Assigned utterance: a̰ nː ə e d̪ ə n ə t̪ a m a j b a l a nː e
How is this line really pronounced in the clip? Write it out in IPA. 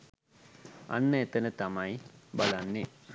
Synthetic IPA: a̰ nː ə e t̪ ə n ə t̪ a m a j b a l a nː e